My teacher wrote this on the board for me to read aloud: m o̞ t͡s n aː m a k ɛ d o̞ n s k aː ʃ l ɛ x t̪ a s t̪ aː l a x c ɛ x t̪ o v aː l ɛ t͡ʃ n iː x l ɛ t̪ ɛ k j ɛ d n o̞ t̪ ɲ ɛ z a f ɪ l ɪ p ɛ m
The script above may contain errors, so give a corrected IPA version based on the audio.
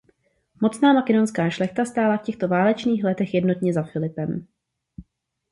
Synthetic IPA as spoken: m o̞ t͡s n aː m a k ɛ d o̞ n s k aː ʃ l ɛ x t̪ a s t̪ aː l a f c ɛ x t̪ o v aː l ɛ t͡ʃ n iː x l ɛ t̪ ɛ x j ɛ d n o̞ t̪ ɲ ɛ z a f ɪ l ɪ p ɛ m